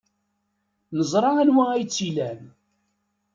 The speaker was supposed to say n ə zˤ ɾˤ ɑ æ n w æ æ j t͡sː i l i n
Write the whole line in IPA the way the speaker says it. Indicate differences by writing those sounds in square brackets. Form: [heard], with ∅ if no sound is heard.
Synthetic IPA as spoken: n ə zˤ ɾˤ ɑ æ n w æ æ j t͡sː i l [æ] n